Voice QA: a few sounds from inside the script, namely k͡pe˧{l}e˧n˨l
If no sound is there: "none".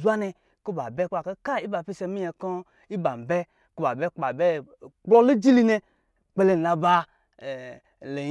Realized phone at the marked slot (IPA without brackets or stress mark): l